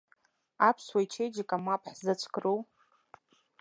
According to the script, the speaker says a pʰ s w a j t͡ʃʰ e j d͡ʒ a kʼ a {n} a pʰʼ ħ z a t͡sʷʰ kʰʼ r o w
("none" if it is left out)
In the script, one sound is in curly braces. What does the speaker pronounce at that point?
m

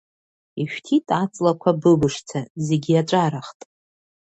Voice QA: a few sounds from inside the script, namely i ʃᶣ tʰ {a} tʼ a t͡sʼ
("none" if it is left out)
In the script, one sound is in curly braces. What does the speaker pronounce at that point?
i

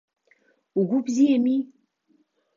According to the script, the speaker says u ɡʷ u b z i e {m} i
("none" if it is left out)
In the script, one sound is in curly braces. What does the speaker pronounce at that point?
m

